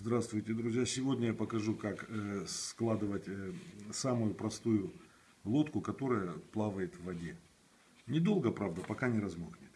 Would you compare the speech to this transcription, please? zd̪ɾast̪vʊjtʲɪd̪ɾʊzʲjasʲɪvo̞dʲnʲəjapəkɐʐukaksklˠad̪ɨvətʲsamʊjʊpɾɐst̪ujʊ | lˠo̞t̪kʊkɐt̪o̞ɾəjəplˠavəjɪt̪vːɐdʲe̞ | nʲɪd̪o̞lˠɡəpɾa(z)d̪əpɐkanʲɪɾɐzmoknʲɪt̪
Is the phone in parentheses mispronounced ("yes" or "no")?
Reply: yes